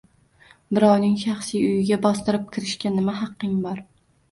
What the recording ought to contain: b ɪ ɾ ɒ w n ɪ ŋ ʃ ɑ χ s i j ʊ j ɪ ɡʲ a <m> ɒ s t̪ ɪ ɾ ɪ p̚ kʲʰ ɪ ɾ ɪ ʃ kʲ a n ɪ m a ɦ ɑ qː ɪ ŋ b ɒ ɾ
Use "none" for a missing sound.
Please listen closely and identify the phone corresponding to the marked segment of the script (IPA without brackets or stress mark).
b